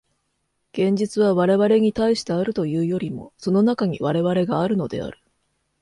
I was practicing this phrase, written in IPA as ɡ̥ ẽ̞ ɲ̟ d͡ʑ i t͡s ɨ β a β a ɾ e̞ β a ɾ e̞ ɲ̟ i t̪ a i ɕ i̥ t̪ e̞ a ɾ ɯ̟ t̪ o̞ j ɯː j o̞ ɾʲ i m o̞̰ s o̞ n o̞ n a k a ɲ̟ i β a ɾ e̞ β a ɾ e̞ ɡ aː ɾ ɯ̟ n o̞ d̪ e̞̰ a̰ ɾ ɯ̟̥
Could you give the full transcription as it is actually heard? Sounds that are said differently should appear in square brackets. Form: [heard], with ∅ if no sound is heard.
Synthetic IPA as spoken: ɡ̥ ẽ̞ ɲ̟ d͡ʑ i t͡s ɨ β a β a ɾ e̞ β a ɾ e̞ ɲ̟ i t̪ a i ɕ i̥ t̪ e̞ a ɾ ɯ̟ t̪ o̞ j ɯː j o̞ ɾʲ i m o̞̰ s o̞ n o̞ n a k a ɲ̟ i β a ɾ e̞ β a ɾ e̞ ɡ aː ɾ ɯ̟ n o̞ d̪ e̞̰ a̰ ɾ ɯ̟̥